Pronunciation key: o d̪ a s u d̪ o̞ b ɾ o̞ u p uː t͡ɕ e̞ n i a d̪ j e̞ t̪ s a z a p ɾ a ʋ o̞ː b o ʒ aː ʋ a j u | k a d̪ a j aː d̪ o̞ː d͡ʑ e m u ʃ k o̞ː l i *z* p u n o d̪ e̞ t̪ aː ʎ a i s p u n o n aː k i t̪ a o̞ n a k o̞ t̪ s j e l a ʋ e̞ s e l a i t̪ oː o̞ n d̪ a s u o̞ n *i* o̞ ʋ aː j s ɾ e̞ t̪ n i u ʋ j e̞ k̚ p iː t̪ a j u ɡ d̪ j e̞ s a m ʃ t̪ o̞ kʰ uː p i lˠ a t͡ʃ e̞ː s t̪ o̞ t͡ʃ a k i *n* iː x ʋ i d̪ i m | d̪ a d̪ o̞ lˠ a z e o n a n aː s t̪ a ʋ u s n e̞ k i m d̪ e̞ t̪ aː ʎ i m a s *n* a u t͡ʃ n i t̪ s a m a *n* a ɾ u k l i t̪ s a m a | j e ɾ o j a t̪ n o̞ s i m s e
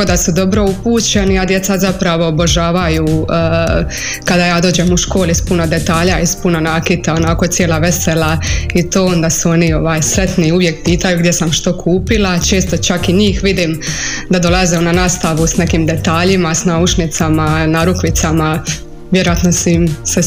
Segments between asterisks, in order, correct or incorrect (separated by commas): incorrect, correct, incorrect, correct, correct